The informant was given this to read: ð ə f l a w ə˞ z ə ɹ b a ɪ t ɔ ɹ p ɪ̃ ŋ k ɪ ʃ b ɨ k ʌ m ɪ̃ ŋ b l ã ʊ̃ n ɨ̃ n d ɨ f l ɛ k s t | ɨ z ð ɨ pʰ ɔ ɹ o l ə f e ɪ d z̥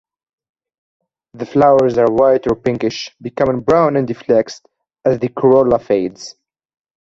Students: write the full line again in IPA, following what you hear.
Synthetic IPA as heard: ð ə f l a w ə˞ z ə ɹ w a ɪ t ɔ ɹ p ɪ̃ ŋ k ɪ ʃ b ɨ k ʌ m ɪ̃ ŋ b ɹ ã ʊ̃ n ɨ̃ n d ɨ f l ɛ k s t | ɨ z ð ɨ kʰ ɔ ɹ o l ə f e ɪ d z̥